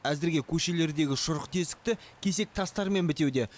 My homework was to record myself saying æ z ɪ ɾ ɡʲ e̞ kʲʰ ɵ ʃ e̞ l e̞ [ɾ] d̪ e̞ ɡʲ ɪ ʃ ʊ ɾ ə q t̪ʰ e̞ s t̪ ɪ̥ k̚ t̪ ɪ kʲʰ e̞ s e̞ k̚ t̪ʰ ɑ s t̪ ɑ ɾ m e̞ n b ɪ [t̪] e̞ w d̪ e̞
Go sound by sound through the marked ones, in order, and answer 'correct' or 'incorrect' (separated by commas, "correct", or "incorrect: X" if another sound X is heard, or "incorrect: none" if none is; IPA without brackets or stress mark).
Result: correct, correct